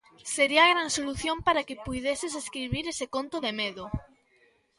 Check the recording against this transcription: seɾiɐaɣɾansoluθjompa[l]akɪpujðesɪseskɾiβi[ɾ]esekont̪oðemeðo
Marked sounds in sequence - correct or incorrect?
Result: incorrect: ɾ, correct

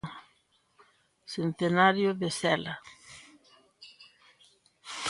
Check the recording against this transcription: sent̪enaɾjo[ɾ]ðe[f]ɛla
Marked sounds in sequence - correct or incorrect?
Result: incorrect: none, incorrect: s

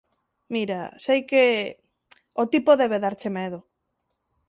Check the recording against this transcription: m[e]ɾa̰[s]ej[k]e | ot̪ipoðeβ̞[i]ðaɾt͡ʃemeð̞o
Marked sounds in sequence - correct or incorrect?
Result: incorrect: i, correct, correct, incorrect: e

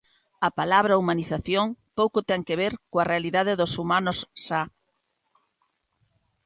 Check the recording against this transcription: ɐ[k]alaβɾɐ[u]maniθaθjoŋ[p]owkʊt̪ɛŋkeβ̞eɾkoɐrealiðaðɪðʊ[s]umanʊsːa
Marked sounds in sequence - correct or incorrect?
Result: incorrect: p, correct, correct, correct

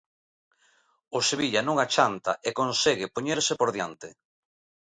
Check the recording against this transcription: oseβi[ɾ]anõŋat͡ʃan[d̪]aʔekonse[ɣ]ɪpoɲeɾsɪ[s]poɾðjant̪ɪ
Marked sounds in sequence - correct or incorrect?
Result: incorrect: ʎ, incorrect: t̪, correct, incorrect: none

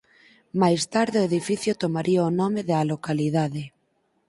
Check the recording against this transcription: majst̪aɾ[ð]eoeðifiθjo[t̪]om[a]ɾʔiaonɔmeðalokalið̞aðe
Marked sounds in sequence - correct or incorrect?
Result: correct, correct, correct

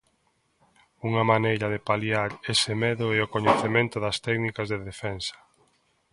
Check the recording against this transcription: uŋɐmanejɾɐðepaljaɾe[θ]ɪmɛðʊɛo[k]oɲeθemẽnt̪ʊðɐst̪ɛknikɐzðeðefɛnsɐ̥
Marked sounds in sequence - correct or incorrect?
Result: incorrect: s, correct

